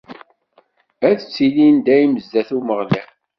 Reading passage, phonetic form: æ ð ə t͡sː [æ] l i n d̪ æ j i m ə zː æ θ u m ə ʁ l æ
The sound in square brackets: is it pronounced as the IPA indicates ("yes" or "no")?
no